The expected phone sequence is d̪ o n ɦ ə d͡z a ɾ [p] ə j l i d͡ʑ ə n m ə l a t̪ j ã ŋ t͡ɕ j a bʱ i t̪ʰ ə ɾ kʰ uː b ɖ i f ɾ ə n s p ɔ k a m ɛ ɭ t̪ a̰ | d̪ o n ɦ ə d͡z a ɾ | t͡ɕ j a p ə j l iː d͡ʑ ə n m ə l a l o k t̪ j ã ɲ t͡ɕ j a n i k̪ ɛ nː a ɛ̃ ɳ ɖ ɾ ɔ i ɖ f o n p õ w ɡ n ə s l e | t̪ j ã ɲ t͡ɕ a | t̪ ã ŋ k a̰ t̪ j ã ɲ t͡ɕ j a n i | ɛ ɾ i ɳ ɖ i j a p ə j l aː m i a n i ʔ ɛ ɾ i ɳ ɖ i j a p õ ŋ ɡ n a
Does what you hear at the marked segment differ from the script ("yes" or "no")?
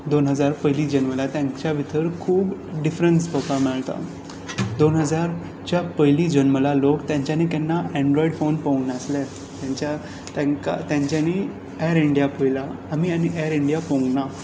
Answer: no